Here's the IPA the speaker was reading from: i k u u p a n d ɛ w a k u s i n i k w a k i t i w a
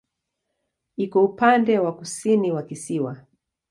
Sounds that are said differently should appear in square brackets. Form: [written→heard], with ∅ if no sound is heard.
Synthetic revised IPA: i k [u→ɔ] u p a n d ɛ w a k u s i n i [k→∅] w a k i [t→s] i w a